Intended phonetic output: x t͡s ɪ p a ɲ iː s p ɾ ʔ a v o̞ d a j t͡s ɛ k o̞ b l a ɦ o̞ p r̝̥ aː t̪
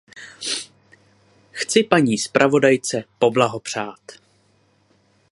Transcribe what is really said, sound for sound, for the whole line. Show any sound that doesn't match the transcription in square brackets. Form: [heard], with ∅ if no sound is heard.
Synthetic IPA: x t͡s ɪ p a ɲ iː s p ɾ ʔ a v o̞ d a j t͡s ɛ [p] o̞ b l a ɦ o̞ p r̝̥ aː t̪